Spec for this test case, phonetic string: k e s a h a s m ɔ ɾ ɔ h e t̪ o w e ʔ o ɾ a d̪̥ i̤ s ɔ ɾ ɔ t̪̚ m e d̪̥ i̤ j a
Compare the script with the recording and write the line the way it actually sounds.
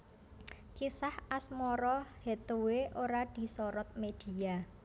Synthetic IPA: k i s a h a s m ɔ ɾ ɔ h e t̪ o w e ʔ o ɾ a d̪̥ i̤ s ɔ ɾ ɔ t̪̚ m e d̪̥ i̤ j a